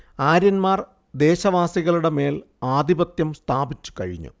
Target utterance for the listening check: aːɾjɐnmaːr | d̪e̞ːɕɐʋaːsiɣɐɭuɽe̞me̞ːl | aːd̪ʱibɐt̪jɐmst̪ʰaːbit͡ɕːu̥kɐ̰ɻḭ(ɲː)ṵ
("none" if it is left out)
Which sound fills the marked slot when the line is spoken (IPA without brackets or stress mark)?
ɲː